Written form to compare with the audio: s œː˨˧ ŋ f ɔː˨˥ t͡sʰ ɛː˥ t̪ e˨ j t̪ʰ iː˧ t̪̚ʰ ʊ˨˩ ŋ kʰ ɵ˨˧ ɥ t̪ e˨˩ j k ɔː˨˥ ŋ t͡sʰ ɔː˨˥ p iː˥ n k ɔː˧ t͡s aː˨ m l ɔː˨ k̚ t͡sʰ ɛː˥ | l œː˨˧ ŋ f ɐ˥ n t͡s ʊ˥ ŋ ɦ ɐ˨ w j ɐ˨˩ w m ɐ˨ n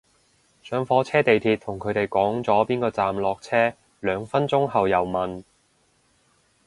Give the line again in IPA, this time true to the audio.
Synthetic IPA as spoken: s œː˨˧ ŋ f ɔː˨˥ t͡sʰ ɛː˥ t̪ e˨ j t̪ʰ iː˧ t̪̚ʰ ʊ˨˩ ŋ kʰ ɵ˨˧ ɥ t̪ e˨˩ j k ɔː˨˥ ŋ t͡s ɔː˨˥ p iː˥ n k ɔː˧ t͡s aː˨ m l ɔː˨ k̚ t͡sʰ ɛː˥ | l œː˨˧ ŋ f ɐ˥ n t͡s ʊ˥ ŋ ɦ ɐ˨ w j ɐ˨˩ w m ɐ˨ n